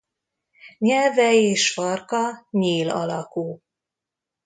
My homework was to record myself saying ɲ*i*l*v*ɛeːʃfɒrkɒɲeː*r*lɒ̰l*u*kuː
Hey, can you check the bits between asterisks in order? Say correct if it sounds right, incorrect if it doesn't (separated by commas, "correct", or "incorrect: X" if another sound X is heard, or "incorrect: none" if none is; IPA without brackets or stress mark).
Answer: incorrect: ɛ, correct, incorrect: none, incorrect: ɒ